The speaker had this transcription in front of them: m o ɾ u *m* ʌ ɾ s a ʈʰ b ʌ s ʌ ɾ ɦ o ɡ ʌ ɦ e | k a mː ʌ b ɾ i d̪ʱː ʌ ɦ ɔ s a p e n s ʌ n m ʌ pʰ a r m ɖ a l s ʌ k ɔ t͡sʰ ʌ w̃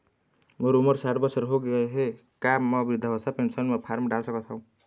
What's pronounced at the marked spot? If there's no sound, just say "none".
m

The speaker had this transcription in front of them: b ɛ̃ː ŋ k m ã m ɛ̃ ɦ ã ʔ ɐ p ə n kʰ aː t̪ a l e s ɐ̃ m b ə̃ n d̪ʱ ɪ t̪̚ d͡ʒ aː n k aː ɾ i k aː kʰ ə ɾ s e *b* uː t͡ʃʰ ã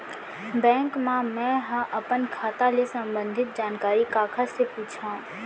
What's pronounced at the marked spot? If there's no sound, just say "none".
p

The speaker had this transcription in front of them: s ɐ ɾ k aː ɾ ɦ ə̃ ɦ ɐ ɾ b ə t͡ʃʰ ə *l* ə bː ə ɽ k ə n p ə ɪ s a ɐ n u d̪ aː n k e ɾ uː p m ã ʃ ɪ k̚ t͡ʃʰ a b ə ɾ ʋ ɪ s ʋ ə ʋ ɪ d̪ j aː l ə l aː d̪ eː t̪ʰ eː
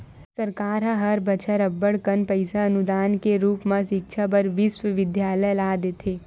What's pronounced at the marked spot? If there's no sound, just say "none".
ɾ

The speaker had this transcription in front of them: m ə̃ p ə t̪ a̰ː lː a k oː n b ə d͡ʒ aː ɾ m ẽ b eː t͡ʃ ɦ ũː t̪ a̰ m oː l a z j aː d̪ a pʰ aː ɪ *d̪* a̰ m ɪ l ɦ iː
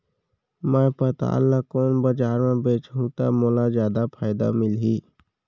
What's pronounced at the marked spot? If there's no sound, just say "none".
d̪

